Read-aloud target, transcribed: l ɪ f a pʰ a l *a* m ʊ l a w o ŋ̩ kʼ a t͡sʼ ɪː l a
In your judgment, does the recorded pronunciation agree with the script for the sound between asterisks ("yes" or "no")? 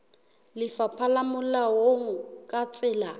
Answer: yes